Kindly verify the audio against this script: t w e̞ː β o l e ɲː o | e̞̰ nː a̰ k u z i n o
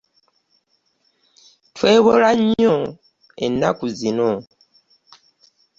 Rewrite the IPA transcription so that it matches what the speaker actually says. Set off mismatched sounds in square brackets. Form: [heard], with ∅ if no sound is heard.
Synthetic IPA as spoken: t w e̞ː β o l [a] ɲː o | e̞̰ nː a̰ k u z i n o